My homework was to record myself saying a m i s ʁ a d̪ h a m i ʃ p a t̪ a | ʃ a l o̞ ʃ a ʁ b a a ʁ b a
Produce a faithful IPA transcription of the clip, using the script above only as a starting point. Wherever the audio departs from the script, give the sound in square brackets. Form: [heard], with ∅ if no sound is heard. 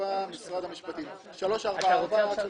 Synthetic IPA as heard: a m i s ʁ a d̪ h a m i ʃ p a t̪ [i] | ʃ a l o̞ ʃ a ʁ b a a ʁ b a